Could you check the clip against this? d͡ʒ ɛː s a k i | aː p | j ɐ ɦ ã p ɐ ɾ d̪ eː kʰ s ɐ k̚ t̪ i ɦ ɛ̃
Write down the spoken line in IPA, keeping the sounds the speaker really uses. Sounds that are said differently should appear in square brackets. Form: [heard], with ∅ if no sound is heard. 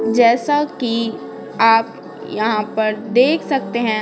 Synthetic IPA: d͡ʒ ɛː s a k i | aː p | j ɐ ɦ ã p ɐ ɾ d̪ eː kʰ s ɐ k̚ t̪ [e] ɦ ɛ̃